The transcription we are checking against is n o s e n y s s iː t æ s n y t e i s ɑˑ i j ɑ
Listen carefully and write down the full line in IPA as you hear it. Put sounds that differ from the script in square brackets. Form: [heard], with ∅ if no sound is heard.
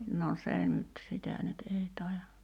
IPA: n o s e n y [t] s [i] t æ [∅] n y t e i [t] ɑˑ i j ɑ